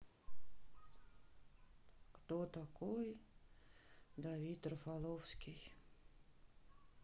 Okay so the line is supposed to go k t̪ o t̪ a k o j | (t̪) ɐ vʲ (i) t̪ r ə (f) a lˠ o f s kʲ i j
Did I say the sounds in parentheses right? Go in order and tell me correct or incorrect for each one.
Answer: incorrect, correct, correct

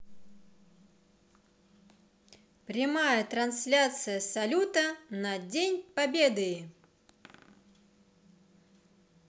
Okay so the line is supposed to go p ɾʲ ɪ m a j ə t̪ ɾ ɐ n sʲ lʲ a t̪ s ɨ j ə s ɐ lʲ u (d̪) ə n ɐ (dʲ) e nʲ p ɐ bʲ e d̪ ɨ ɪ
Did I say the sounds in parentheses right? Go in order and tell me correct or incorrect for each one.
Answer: incorrect, correct

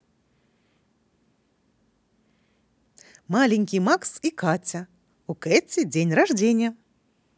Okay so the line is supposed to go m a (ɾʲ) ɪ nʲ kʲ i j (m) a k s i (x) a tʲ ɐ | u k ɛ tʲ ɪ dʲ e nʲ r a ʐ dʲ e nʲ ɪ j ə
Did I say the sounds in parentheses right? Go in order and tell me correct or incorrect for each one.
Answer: incorrect, correct, incorrect

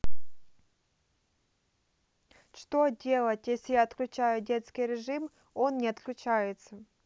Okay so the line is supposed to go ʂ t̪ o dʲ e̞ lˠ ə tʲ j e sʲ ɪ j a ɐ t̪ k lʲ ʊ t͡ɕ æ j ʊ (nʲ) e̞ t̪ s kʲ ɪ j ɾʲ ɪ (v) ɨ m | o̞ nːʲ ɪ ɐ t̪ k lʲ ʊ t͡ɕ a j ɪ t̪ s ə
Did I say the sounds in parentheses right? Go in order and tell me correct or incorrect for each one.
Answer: incorrect, incorrect

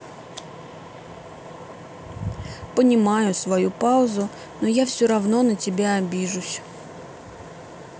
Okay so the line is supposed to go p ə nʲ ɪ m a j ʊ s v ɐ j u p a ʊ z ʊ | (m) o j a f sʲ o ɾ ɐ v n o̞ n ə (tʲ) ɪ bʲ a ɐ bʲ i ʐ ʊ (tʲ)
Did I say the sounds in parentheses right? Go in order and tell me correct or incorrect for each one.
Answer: incorrect, correct, incorrect

